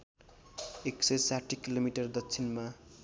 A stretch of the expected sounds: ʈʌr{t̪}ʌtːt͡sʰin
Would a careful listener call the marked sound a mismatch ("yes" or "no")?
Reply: yes